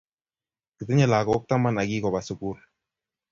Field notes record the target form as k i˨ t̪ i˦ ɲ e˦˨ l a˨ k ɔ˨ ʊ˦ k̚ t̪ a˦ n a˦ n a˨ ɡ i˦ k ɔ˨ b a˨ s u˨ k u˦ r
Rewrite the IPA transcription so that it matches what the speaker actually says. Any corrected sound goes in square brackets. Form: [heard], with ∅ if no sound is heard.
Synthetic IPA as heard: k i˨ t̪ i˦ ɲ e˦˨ l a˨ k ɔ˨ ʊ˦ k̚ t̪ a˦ [m] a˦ n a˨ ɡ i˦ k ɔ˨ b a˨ s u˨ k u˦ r